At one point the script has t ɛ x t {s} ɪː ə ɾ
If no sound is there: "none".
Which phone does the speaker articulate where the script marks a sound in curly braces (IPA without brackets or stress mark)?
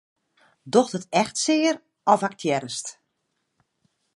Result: s